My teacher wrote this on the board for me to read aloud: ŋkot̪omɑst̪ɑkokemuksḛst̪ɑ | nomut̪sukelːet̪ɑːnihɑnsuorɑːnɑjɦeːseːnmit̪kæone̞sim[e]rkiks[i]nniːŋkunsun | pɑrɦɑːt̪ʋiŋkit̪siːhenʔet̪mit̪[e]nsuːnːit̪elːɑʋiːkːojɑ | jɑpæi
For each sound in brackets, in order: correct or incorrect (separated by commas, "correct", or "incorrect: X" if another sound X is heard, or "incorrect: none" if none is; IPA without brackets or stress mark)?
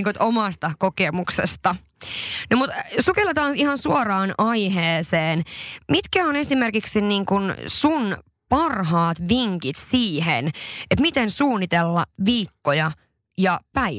correct, correct, correct